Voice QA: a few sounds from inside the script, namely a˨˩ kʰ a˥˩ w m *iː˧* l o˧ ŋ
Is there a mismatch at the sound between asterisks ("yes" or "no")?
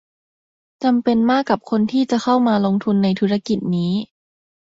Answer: yes